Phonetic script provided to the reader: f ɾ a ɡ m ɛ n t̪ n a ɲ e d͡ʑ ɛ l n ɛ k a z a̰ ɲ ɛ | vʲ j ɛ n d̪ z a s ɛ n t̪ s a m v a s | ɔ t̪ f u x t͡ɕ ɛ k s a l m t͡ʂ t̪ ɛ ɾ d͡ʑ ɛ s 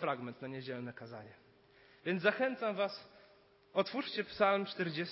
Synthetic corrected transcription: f ɾ a ɡ m ɛ n t̪ n a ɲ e d͡ʑ ɛ l n ɛ k a z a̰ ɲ ɛ | vʲ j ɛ n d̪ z a x ɛ n t̪ s a m v a s | ɔ t̪ f u ʂ t͡ɕ ɛ p s a l m t͡ʂ t̪ ɛ ɾ d͡ʑ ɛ s